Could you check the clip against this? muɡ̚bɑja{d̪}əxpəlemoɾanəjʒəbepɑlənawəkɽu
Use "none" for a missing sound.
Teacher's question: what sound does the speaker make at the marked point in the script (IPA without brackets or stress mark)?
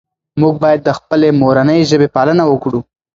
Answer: d̪ː